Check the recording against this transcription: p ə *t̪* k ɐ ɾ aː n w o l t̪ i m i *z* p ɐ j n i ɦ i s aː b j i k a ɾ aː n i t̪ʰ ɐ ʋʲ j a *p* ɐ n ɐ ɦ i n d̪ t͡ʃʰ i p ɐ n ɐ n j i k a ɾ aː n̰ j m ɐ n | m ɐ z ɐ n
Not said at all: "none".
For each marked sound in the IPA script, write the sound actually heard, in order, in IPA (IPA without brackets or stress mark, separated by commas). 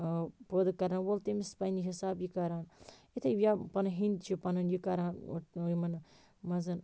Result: d̪, s, p